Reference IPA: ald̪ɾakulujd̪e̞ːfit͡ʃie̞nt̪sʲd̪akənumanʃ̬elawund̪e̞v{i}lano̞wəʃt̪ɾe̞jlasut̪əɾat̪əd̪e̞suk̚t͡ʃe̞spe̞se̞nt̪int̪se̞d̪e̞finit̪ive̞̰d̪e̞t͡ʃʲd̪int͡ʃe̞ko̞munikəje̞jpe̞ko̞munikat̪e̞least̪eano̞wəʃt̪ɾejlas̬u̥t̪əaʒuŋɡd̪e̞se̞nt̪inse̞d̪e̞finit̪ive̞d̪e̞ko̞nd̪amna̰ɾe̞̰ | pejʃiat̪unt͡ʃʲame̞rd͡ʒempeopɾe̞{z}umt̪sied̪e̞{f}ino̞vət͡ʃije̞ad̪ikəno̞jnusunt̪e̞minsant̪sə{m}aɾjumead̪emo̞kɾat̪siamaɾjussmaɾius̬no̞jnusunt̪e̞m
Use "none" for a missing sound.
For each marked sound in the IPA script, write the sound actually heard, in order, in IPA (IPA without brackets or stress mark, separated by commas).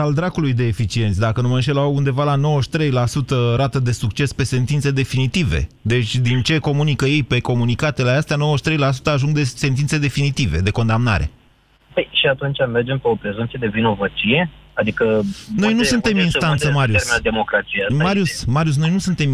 a, z, v, m